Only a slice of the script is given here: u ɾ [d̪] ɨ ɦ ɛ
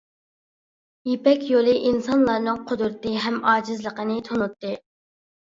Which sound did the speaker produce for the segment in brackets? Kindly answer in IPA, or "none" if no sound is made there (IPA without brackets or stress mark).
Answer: t̪